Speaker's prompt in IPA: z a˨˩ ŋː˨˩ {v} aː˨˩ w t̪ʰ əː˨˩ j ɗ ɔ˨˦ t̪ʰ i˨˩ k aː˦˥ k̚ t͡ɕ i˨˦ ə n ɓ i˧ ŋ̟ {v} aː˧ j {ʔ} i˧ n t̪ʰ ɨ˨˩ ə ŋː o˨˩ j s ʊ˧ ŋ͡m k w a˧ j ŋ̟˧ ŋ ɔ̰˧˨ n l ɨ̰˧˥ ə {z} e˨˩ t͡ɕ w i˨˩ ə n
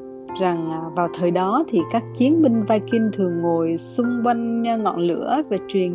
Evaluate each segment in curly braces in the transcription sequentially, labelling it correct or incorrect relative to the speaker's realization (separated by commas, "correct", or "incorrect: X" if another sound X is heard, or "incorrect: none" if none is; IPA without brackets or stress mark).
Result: correct, correct, incorrect: k, incorrect: v